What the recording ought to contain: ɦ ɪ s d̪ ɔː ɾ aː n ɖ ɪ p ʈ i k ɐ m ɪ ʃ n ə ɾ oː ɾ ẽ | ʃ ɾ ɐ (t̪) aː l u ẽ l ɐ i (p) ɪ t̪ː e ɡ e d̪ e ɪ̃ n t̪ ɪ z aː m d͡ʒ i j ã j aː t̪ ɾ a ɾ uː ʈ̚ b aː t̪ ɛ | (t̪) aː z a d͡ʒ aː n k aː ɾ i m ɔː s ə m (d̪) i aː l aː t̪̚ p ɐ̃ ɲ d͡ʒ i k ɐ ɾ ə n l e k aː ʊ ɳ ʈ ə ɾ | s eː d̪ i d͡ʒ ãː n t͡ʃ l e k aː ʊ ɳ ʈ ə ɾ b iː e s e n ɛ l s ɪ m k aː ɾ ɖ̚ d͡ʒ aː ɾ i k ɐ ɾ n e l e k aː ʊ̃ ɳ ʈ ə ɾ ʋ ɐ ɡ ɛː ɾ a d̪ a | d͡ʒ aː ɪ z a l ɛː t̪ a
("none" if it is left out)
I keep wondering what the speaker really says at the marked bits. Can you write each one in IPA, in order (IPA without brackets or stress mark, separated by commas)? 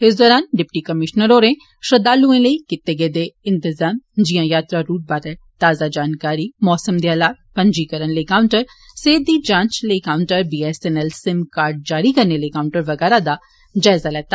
d̪, k, t̪, d̪